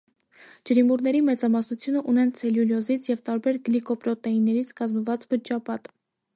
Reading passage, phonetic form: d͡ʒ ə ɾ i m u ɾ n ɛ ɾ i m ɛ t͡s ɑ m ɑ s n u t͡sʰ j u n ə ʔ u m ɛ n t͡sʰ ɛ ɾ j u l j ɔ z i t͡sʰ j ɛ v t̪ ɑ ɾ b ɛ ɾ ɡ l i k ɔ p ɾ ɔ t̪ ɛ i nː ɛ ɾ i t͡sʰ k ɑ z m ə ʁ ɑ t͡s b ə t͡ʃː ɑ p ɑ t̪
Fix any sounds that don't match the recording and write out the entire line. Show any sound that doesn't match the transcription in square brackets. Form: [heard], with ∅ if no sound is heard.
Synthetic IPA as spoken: d͡ʒ ə ɾ i m u ɾ n ɛ ɾ i m ɛ t͡s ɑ m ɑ s n u t͡sʰ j u n ə ʔ u [n] ɛ n t͡sʰ ɛ [l] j u l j ɔ z i t͡sʰ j ɛ v t̪ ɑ ɾ b ɛ ɾ ɡ l i k ɔ p ɾ ɔ t̪ ɛ i nː ɛ ɾ i t͡sʰ k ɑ z m ə [v] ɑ t͡s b ə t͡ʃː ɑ p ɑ t̪